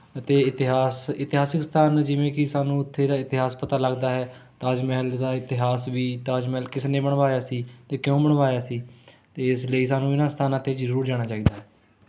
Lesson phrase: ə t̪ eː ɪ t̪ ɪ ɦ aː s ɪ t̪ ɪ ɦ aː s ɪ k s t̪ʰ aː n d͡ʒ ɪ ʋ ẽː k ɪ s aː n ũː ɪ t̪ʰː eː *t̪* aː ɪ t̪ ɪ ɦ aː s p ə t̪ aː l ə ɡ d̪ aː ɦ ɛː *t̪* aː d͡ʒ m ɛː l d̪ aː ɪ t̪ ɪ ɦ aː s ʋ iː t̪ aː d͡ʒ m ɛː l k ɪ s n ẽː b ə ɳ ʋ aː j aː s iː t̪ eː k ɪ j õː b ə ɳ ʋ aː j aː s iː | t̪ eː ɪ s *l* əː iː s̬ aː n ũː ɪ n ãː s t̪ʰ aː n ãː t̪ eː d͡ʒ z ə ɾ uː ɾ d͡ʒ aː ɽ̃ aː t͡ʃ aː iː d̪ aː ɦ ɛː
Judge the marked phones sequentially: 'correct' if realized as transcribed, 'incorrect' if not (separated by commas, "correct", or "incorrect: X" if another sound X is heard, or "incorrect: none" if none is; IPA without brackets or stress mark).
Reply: incorrect: d̪, correct, correct